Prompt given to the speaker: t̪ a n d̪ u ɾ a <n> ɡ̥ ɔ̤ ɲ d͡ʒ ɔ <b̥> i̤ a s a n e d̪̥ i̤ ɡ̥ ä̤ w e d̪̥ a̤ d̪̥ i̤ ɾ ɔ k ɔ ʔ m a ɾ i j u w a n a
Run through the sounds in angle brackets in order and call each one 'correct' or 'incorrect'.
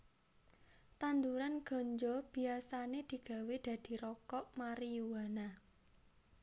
correct, correct

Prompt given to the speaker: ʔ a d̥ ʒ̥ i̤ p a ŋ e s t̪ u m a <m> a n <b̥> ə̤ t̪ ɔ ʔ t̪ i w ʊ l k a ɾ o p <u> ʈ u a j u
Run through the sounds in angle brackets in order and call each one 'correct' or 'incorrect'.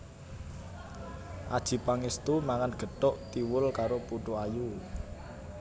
incorrect: ŋ, incorrect: ɡ̥, correct

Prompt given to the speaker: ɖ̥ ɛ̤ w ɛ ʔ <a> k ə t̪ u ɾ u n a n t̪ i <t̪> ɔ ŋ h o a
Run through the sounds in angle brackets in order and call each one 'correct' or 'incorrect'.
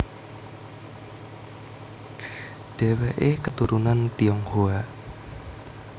incorrect: e, incorrect: none

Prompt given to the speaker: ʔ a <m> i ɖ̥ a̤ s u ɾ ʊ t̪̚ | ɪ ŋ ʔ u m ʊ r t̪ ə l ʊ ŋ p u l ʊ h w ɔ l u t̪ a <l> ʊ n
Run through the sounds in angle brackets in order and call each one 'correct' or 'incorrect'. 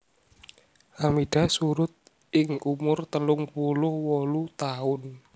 correct, incorrect: none

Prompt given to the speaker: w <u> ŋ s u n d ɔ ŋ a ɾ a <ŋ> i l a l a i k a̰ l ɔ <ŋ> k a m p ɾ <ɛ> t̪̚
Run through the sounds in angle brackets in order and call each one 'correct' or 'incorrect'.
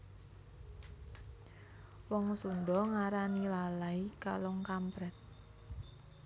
incorrect: ɔ, incorrect: n, correct, correct

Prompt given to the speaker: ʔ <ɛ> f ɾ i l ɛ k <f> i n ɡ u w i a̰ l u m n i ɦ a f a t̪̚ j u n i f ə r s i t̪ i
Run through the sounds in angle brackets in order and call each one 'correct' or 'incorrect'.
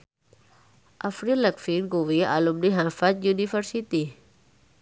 incorrect: a, correct

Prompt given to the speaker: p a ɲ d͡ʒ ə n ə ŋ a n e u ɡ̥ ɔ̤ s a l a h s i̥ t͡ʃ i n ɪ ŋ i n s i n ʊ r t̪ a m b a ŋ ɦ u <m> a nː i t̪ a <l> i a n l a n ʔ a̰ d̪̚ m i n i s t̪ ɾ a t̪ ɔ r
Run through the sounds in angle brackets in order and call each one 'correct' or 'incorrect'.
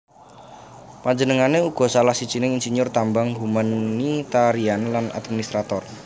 correct, incorrect: ɾ

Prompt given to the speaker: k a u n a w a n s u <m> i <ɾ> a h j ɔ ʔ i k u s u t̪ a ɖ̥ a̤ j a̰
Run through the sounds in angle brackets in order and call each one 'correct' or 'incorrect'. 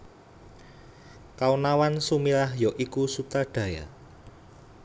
correct, incorrect: l

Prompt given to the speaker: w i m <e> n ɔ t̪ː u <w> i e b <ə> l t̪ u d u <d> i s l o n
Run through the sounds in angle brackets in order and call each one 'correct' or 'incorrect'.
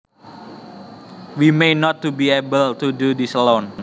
correct, incorrect: b, correct, correct

